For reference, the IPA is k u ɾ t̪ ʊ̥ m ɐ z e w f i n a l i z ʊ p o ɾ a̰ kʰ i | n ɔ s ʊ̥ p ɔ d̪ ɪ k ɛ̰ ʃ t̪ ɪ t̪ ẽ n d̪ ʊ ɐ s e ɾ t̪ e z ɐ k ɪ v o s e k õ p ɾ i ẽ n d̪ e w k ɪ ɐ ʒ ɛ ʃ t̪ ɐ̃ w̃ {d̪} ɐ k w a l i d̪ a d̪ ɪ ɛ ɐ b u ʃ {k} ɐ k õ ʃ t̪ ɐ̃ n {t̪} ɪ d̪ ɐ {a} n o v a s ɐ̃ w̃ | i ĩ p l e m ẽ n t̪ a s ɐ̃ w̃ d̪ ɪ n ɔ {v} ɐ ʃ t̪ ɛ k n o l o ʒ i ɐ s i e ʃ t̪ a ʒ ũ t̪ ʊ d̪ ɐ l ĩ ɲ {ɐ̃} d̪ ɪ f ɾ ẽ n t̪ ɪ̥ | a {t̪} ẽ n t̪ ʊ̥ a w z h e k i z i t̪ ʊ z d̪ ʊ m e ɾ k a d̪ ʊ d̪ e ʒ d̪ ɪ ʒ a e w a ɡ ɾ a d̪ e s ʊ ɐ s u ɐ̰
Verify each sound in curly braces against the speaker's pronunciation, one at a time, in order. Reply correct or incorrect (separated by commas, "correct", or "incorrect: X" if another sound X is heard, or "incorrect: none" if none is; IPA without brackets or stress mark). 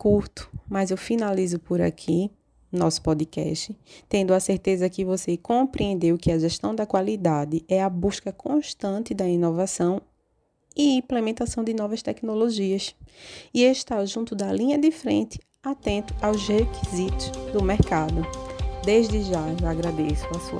correct, correct, correct, incorrect: i, correct, incorrect: ɐ, correct